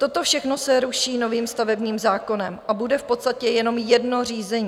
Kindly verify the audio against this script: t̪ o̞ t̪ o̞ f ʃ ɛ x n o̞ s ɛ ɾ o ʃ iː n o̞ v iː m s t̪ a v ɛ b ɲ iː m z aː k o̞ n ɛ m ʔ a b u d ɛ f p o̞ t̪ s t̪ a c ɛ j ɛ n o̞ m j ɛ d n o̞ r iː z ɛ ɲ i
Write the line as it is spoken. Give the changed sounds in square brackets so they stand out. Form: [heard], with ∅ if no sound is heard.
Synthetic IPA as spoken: t̪ o̞ t̪ o̞ f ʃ ɛ x n o̞ s ɛ ɾ [u] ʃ iː n o̞ v iː m s t̪ a v ɛ b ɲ iː m z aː k o̞ n ɛ m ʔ a b u d ɛ f p o̞ t̪ s t̪ a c ɛ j ɛ n o̞ m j ɛ d n o̞ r iː z ɛ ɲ i